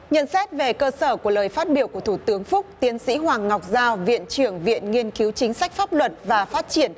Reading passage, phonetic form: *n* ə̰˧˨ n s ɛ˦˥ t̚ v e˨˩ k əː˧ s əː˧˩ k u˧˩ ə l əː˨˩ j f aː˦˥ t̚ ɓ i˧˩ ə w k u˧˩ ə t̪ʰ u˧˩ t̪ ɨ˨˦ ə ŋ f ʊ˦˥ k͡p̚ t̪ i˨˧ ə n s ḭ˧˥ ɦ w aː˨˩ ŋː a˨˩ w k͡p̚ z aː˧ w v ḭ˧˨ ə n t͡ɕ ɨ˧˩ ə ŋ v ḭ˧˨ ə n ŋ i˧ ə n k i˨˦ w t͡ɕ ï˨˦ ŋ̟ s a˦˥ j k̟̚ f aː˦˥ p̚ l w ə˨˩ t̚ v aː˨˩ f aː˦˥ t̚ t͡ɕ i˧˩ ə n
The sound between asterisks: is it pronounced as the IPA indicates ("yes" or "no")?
no